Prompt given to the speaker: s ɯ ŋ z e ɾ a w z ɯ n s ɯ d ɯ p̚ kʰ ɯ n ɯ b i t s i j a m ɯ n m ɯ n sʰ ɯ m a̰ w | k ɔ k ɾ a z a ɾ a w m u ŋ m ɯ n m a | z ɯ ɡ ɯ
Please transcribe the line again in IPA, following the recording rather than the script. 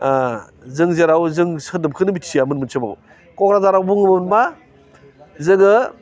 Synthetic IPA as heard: z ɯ ŋ z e ɾ a w z ɯ ŋ s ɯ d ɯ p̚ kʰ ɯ n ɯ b i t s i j a m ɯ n m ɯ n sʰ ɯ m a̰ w | k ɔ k ɾ a z a ɾ a w b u ŋ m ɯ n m a | z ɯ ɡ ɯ

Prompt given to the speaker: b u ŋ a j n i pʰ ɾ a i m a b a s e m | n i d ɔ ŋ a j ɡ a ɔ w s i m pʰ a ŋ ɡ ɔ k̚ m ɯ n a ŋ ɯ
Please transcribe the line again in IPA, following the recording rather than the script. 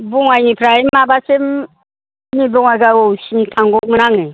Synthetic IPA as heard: b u ŋ a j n i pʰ ɾ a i m a b a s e m | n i b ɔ ŋ a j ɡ a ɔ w s i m tʰ a ŋ ɡ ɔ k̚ m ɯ n a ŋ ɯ

